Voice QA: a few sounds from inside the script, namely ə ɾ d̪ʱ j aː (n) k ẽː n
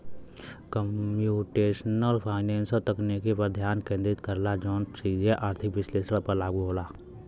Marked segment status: correct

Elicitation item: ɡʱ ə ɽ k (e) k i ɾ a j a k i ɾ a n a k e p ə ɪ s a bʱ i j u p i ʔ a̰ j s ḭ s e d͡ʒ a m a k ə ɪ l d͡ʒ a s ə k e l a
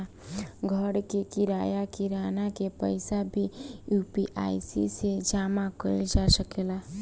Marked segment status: correct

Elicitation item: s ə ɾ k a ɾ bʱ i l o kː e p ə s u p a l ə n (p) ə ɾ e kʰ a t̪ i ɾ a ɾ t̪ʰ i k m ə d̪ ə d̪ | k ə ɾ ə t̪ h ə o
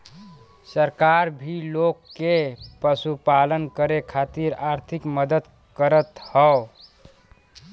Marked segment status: incorrect: k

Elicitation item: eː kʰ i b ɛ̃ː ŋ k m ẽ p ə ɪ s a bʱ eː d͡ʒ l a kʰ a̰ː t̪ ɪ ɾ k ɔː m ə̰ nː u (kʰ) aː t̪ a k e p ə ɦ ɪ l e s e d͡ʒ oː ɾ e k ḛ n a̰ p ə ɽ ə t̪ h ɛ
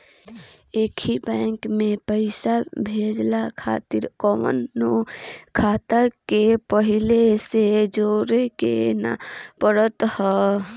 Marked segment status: correct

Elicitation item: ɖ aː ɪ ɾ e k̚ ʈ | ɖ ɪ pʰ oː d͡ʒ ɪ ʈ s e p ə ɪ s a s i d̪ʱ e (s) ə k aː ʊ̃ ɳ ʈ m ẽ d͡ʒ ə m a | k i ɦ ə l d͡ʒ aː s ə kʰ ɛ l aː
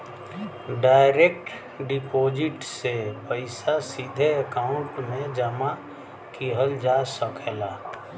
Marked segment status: incorrect: none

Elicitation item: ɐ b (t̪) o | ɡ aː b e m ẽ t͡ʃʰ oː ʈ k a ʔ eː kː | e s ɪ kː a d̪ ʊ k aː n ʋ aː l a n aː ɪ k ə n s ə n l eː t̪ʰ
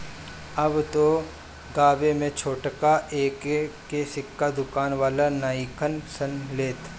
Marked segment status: correct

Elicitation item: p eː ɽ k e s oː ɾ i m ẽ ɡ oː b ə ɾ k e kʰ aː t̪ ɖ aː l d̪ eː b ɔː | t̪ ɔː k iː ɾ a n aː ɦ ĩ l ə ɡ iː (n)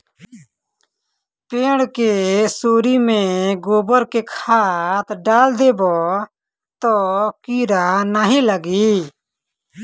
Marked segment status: incorrect: none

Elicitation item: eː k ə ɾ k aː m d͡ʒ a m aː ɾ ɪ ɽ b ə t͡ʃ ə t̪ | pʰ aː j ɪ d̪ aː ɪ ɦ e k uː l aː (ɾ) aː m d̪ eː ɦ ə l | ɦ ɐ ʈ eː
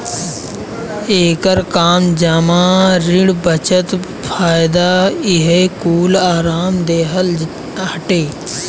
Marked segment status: correct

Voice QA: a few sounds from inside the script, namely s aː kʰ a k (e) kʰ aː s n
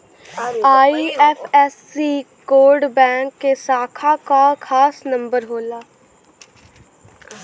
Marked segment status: incorrect: a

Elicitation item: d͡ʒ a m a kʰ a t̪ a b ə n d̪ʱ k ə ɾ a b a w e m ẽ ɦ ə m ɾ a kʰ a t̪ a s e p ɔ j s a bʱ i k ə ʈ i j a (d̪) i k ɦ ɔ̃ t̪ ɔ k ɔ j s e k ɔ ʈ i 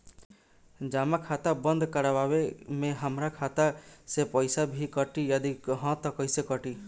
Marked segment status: correct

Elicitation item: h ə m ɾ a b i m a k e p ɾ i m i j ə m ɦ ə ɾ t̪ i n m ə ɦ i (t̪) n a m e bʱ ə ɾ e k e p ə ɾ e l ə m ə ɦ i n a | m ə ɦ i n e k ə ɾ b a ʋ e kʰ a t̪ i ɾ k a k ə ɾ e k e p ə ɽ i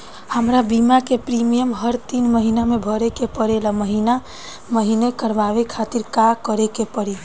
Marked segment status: incorrect: none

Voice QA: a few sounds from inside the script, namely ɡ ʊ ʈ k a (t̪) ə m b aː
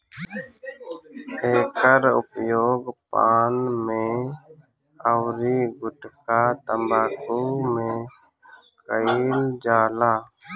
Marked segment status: correct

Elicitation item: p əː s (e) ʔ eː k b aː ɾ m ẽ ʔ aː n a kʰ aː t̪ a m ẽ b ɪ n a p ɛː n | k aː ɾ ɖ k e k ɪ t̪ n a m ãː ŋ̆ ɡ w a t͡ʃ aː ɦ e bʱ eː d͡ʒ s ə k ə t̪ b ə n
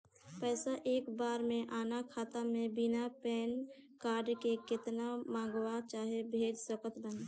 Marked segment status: incorrect: a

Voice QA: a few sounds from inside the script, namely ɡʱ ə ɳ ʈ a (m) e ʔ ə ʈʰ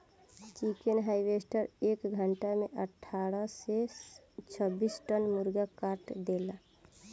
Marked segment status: correct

